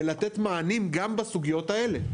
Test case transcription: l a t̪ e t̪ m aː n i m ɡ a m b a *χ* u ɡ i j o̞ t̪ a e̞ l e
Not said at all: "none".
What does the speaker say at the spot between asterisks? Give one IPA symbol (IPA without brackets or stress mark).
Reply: s